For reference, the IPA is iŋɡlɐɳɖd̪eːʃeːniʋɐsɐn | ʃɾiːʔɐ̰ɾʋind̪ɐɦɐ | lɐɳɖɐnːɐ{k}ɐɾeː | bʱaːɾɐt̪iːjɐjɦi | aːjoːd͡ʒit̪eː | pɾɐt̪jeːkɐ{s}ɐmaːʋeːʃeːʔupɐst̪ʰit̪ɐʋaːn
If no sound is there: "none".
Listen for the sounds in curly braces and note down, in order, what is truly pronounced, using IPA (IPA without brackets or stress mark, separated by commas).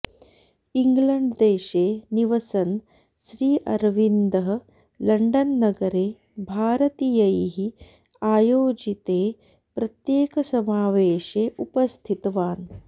ɡ, s